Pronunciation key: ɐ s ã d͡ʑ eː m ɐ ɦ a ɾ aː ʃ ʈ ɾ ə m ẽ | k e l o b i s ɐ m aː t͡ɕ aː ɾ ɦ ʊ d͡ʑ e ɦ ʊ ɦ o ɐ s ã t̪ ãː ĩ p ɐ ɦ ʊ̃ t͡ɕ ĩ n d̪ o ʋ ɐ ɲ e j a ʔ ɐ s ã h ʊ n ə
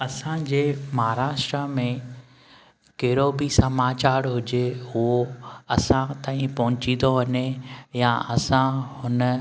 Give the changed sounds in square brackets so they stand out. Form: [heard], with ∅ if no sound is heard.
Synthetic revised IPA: ɐ s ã d͡ʑ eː m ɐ ɦ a ɾ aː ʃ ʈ ɾ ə m ẽ | k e [ɾ] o b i s ɐ m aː t͡ɕ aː ɾ ɦ ʊ d͡ʑ e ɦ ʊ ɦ o ɐ s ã t̪ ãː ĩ p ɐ ɦ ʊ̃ t͡ɕ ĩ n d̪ o ʋ ɐ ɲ e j a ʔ ɐ s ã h ʊ n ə